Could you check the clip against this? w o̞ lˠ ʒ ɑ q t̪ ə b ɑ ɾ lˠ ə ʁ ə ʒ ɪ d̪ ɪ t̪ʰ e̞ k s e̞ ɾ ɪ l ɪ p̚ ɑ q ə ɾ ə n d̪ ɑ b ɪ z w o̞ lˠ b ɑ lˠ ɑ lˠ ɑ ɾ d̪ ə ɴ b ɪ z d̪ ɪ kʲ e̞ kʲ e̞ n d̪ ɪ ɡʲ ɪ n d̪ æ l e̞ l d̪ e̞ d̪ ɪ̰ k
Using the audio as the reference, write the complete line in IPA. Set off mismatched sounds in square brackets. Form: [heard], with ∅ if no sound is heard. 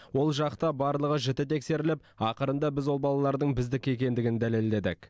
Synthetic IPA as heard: w o̞ lˠ ʒ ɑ q t̪ [ɑ] b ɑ ɾ lˠ ə ʁ ə ʒ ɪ [t̪] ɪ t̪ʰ e̞ k s e̞ ɾ ɪ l ɪ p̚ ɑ q ə ɾ ə n d̪ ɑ b ɪ z w o̞ lˠ b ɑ lˠ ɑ lˠ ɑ ɾ d̪ ə ɴ b ɪ z d̪ ɪ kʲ e̞ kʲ e̞ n d̪ ɪ ɡʲ ɪ n d̪ æ l e̞ l d̪ e̞ d̪ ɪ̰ k